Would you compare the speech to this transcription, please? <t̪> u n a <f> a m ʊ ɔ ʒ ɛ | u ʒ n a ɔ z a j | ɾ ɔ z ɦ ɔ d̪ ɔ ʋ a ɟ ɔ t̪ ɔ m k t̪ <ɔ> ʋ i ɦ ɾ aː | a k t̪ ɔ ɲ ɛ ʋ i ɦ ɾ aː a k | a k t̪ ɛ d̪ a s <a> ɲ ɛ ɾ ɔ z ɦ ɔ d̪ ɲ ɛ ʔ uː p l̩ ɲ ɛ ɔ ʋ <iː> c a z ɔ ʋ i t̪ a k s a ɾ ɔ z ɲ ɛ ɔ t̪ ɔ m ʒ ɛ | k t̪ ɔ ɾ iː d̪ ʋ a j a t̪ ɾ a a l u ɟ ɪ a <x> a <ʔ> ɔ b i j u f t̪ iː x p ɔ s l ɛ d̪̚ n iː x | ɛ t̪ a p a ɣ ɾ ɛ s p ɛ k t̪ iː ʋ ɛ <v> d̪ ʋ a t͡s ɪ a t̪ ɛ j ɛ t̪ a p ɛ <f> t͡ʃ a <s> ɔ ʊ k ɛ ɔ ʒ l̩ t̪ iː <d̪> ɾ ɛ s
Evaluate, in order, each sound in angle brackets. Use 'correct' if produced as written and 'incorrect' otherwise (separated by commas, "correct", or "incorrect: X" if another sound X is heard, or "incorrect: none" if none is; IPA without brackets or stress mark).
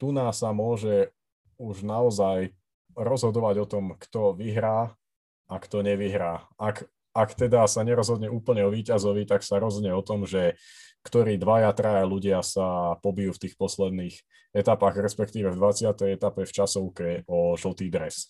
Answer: correct, incorrect: s, correct, correct, correct, incorrect: s, incorrect: p, correct, correct, correct, correct